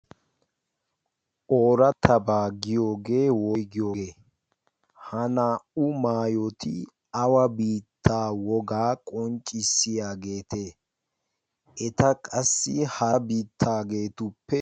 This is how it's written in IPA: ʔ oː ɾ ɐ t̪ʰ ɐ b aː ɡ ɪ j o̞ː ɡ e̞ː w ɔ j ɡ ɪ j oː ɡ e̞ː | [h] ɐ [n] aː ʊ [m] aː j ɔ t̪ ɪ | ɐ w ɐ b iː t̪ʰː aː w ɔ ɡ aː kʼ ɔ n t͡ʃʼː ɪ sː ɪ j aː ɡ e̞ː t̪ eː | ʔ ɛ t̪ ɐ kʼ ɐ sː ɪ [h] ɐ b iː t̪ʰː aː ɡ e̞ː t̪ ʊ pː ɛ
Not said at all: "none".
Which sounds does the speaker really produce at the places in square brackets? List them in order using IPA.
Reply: h, n, m, h

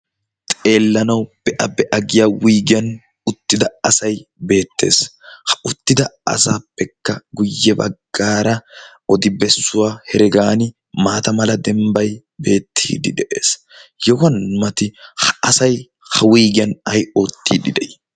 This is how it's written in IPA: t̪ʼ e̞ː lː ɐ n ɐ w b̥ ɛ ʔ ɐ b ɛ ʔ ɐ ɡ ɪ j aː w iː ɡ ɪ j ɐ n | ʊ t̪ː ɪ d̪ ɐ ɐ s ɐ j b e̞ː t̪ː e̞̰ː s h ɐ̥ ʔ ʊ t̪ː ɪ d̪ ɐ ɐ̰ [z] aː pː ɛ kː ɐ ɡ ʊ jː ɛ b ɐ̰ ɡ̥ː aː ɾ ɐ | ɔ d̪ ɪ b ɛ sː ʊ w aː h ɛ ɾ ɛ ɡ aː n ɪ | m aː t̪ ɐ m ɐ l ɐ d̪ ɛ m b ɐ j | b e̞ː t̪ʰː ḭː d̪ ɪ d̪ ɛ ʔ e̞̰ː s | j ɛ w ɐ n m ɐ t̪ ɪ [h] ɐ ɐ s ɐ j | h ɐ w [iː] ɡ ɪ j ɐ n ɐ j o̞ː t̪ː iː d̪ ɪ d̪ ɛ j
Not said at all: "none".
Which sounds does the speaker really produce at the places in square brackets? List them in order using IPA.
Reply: s, h, iː

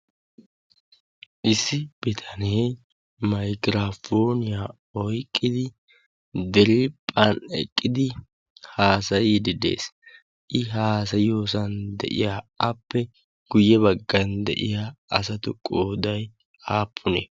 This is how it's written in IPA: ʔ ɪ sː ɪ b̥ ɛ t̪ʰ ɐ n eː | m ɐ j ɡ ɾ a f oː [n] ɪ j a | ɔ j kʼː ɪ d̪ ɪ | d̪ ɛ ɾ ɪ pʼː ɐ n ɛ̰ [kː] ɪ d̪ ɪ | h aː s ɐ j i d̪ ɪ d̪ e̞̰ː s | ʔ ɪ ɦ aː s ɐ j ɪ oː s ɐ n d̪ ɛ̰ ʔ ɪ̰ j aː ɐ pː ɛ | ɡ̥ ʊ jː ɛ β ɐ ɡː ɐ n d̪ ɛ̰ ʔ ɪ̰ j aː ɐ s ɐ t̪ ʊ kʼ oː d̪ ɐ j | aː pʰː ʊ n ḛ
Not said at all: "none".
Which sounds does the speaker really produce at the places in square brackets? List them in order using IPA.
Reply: n, kʼː

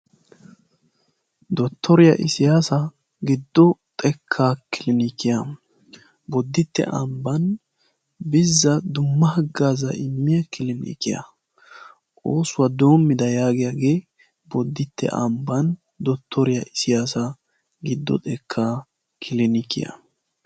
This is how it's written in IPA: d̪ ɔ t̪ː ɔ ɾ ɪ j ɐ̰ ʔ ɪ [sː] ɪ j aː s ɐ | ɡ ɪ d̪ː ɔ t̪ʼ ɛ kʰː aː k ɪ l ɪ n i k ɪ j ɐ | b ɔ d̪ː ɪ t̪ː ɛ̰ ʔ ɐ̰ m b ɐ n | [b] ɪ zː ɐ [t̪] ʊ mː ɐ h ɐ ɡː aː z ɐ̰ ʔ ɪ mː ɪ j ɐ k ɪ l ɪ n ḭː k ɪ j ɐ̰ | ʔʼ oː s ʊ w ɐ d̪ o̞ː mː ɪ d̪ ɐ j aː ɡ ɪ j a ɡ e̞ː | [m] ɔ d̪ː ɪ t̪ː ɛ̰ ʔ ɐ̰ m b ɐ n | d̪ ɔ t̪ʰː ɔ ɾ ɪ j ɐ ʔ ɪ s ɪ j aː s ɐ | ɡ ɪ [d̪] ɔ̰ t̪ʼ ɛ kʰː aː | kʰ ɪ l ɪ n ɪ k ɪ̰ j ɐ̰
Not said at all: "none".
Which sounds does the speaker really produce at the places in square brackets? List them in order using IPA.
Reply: s, b, d̪, b, d̪ː

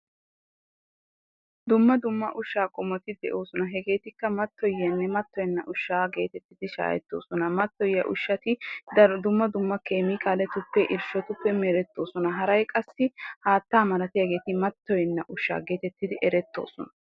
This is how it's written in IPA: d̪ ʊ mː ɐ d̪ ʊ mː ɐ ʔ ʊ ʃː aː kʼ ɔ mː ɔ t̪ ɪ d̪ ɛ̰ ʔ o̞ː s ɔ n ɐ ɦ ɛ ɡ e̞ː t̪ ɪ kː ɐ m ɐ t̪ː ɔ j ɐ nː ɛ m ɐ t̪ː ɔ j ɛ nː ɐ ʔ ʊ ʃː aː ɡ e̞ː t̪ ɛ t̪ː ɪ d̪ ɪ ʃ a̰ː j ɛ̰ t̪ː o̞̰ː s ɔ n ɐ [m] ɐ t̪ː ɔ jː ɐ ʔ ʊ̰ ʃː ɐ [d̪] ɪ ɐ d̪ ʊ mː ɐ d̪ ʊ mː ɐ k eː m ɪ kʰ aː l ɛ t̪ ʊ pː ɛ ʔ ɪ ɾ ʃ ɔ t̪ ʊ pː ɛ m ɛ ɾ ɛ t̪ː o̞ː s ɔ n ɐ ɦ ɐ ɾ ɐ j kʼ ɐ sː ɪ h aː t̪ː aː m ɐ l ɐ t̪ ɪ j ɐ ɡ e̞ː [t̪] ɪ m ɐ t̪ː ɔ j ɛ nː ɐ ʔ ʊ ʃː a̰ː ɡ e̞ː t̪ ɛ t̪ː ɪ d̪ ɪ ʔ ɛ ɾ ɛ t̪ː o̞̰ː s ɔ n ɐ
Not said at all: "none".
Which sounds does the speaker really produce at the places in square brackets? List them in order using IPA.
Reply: m, t̪, t̪

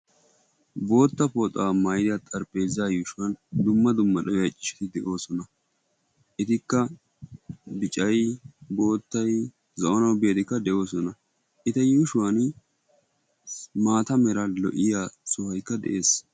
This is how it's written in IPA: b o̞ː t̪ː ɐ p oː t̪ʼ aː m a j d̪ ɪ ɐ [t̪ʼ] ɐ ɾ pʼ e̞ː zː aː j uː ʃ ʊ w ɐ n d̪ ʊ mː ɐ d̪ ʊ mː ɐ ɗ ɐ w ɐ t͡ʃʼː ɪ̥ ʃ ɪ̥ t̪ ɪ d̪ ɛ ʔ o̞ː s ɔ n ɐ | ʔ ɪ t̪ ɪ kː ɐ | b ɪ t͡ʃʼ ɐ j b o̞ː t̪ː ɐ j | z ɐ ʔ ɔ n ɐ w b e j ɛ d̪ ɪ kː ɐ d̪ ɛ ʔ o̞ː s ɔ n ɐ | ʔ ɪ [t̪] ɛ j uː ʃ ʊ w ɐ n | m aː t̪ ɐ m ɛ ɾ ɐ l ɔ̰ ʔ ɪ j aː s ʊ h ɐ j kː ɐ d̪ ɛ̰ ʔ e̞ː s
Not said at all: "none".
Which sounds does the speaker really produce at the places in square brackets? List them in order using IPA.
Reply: t̪ʼ, t̪

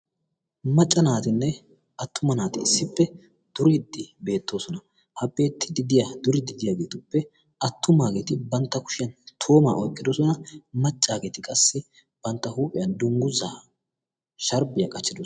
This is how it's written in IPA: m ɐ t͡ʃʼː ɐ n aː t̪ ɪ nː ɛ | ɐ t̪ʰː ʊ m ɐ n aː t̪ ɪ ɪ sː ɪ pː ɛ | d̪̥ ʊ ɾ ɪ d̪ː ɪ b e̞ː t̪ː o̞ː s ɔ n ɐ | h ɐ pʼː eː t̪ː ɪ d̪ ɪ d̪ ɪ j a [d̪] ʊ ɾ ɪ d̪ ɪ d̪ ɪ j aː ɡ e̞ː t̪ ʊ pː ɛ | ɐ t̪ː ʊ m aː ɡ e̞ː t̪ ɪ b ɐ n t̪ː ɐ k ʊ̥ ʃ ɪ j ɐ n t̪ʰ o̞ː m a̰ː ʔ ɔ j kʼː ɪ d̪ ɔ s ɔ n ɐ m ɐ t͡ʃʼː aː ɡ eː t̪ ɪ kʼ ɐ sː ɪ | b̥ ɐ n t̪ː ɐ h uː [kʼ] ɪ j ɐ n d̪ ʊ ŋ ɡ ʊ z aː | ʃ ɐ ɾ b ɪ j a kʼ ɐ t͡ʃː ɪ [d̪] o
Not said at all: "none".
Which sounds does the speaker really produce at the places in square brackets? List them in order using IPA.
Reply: d̪, pʼ, d̪

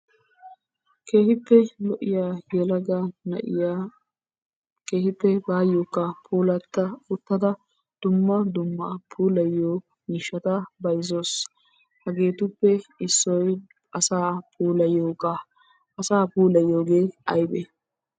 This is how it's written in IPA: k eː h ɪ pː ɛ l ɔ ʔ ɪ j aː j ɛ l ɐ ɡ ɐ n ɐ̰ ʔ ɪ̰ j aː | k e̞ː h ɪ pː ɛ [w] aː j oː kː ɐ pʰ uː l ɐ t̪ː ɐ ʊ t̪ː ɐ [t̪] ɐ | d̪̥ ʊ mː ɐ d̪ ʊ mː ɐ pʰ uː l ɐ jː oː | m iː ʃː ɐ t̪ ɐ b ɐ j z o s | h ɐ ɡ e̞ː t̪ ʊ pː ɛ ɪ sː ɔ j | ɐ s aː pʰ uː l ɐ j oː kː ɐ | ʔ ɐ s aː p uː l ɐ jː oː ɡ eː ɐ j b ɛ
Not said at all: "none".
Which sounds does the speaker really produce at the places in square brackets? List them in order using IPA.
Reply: b, d̪

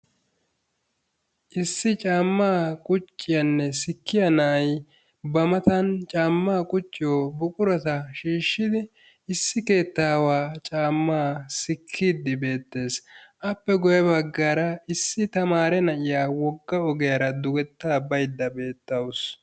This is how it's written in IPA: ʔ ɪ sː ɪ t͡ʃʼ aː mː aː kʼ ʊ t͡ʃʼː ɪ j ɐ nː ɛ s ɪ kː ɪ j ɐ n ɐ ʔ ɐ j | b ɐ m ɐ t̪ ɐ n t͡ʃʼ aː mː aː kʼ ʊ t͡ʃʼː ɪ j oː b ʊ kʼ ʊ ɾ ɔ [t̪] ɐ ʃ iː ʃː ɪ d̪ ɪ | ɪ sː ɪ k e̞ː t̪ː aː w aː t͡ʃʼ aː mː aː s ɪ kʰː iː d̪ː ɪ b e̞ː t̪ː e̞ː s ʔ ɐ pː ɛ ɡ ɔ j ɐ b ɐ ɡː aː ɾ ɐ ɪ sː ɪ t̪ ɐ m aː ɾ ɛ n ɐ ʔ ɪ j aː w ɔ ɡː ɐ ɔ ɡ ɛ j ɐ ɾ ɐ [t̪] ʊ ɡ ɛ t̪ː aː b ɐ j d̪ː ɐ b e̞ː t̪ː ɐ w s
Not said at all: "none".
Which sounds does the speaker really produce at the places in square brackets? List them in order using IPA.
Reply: t̪, d̪

